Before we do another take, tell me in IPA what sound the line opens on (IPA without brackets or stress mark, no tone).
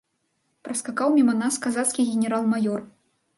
p